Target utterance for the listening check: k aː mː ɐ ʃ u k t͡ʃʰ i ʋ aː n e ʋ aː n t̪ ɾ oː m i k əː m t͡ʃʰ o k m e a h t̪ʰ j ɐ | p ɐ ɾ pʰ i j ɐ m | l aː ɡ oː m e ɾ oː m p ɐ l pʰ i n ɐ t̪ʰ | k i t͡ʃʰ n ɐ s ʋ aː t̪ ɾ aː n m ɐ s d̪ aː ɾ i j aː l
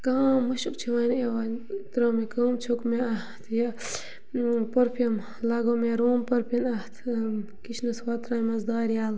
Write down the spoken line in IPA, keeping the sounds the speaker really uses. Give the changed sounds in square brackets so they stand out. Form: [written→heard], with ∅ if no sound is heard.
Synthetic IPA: k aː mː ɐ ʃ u k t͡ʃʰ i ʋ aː n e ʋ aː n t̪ ɾ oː m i k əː m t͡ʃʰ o k m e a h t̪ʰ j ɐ | p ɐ ɾ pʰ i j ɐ m | l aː ɡ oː m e ɾ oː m p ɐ [l→ɾ] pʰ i n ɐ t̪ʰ | k i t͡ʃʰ n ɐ s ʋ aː t̪ ɾ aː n m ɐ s d̪ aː ɾ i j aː l